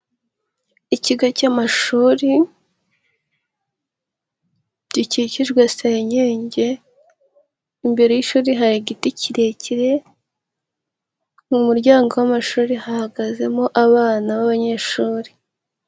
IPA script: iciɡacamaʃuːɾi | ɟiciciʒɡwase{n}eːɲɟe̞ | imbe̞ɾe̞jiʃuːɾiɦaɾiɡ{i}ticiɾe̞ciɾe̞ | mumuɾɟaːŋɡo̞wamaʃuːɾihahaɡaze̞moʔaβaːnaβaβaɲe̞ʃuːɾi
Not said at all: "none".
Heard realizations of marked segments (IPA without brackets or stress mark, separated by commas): ɲ, i